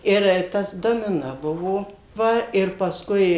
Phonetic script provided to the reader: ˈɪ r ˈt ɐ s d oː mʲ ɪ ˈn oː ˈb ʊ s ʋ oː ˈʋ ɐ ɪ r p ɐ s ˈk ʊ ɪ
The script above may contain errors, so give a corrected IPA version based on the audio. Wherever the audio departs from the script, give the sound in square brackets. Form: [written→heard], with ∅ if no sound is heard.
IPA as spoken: ˈɪ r ˈt ɐ s d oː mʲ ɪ ˈn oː ˈb ʊ [s→∅] ʋ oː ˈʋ ɐ ɪ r p ɐ s ˈk ʊ ɪ

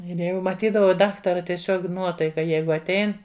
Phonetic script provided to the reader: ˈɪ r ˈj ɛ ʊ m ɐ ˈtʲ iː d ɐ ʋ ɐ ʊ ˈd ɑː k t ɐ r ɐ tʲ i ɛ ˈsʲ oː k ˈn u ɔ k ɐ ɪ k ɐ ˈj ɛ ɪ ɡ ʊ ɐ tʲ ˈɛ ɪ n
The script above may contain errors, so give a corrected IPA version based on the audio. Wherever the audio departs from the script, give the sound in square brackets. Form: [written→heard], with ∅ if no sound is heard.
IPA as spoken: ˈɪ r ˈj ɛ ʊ m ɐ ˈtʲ iː d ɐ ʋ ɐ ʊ ˈd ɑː k t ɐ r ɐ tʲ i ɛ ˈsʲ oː k ˈn u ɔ [k→t] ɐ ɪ k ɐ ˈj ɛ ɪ ɡ ʊ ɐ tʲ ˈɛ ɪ n

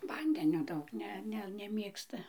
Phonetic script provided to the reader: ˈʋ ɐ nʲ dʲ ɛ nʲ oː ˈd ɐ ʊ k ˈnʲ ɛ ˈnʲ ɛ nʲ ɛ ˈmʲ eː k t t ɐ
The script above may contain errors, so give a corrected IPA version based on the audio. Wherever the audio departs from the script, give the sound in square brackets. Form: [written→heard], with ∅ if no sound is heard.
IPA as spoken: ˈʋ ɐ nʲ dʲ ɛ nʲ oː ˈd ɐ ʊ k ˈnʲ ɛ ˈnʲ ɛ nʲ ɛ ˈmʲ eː k [t→s] t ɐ

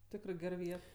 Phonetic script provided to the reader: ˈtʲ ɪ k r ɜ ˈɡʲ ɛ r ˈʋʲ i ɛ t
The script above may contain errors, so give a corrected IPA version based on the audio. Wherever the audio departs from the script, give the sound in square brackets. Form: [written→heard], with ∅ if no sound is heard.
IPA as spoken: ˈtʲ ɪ k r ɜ ˈɡʲ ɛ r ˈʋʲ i ɛ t

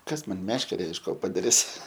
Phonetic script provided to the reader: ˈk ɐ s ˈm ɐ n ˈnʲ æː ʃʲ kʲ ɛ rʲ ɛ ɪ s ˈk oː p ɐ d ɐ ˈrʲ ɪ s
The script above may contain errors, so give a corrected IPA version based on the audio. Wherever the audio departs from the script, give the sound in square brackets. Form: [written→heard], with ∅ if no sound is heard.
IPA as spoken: ˈk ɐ s ˈm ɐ n [ˈnʲ→ˈmʲ] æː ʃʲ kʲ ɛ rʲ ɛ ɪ [s→ʃ] ˈk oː p ɐ d ɐ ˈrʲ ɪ s

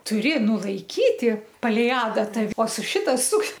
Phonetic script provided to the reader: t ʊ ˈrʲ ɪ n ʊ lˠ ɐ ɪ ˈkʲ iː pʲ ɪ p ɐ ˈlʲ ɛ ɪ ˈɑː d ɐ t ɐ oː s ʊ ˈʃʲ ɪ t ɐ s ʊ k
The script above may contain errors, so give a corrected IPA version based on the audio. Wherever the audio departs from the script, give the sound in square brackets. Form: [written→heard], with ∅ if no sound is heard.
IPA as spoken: t ʊ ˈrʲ ɪ n ʊ lˠ ɐ ɪ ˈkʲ iː [pʲ→tʲ] ɪ p ɐ ˈlʲ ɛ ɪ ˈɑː d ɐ t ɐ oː s ʊ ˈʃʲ ɪ t ɐ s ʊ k

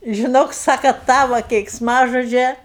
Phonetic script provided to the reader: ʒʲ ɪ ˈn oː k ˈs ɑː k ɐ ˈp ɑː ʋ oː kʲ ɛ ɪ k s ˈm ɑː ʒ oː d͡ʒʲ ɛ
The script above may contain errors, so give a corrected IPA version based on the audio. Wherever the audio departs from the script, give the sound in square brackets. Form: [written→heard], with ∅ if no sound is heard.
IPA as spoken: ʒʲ ɪ ˈn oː k ˈs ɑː k ɐ [ˈp→ˈt] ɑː ʋ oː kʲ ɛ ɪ k s ˈm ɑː ʒ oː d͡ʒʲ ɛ

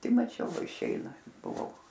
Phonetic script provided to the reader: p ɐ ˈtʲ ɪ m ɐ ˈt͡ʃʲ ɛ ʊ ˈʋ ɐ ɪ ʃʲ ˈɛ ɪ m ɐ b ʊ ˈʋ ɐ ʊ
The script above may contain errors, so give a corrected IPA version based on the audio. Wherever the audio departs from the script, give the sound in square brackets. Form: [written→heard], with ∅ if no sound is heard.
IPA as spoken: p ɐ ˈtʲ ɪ m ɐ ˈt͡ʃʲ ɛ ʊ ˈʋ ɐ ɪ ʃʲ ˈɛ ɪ [m→n] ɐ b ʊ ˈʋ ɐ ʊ

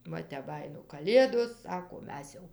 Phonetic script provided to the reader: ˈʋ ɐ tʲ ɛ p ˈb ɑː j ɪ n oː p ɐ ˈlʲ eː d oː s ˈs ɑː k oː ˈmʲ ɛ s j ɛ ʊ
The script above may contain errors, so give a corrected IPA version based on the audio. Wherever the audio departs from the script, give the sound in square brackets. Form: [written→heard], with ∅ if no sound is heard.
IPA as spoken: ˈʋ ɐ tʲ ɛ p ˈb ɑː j ɪ n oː [p→k] ɐ ˈlʲ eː d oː s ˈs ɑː k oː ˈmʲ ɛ s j ɛ ʊ

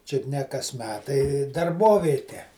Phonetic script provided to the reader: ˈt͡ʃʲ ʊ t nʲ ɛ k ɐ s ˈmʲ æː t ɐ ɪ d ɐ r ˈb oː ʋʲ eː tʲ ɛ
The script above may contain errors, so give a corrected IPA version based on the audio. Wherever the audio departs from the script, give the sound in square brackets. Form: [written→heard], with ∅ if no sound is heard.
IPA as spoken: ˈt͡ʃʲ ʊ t nʲ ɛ k ɐ s ˈmʲ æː t ɐ ɪ d ɐ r ˈb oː ʋʲ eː tʲ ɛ

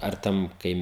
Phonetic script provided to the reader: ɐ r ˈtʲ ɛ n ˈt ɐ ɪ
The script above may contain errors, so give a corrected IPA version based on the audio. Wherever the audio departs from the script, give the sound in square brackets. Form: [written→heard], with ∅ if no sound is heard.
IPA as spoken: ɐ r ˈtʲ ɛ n [ˈt→ˈk] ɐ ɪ

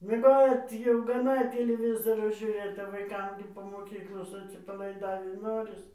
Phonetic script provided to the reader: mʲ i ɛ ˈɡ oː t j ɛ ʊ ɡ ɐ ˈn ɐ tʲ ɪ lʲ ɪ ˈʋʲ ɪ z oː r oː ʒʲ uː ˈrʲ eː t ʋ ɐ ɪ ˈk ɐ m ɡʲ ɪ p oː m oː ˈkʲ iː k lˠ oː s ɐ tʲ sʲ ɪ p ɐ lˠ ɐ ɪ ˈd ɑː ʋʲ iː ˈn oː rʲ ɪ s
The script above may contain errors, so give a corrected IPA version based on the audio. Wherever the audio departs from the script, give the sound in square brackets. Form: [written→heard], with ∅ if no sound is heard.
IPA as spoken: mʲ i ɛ ˈɡ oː t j ɛ ʊ ɡ ɐ ˈn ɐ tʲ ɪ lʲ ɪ ˈʋʲ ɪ z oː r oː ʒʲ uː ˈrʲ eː t ʋ ɐ ɪ ˈk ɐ m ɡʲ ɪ p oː m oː ˈkʲ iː k lˠ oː s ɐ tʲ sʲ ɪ p ɐ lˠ ɐ ɪ ˈd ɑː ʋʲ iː ˈn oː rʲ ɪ s

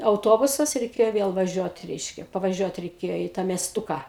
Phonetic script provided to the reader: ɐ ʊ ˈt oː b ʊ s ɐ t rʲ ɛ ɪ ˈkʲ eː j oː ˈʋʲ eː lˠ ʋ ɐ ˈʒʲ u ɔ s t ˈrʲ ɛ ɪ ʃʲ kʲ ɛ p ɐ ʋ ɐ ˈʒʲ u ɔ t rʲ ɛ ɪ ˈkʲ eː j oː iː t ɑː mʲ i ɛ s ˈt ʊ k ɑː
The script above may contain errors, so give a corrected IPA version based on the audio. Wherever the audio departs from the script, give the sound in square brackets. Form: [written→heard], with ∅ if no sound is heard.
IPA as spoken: ɐ ʊ ˈt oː b ʊ s ɐ [t→s] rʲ ɛ ɪ ˈkʲ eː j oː ˈʋʲ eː lˠ ʋ ɐ ˈʒʲ u ɔ [s→∅] t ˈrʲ ɛ ɪ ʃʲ kʲ ɛ p ɐ ʋ ɐ ˈʒʲ u ɔ t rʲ ɛ ɪ ˈkʲ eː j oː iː t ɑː mʲ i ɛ s ˈt ʊ k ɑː

